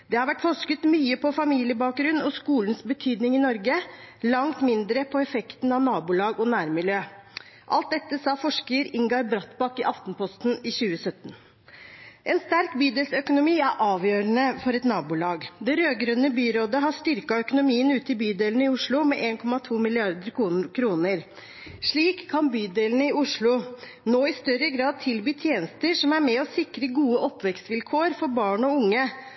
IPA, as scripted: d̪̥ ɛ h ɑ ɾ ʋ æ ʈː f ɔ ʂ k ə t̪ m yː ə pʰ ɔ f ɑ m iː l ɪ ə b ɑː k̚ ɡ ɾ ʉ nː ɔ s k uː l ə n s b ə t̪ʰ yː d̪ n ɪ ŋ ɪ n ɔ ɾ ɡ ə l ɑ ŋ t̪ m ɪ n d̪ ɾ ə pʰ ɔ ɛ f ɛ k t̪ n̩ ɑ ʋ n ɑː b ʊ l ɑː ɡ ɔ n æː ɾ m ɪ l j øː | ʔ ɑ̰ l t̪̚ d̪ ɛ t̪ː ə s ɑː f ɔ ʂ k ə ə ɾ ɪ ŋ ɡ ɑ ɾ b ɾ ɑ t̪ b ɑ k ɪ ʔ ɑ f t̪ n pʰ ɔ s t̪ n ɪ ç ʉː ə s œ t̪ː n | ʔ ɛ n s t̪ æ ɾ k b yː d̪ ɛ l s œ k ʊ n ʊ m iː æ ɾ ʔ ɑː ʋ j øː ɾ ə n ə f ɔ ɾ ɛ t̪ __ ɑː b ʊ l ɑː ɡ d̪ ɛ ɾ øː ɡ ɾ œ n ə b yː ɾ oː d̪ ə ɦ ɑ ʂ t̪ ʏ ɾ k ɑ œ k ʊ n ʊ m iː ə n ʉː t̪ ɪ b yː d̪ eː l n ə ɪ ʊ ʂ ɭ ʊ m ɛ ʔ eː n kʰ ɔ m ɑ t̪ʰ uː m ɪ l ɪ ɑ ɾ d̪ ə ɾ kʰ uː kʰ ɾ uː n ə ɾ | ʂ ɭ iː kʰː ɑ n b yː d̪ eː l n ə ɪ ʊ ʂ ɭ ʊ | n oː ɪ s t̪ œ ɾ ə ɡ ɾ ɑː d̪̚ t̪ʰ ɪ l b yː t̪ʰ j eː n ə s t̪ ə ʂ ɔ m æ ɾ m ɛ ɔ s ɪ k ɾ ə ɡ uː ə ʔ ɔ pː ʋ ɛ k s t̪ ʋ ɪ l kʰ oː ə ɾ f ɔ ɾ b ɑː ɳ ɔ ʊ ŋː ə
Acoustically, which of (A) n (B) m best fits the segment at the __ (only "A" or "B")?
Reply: A